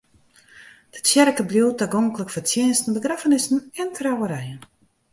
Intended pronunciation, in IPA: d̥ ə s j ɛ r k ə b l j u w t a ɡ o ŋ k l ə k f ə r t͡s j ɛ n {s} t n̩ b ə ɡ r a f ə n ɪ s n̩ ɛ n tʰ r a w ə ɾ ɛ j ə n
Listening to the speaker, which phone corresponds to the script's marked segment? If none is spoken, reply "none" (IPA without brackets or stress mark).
s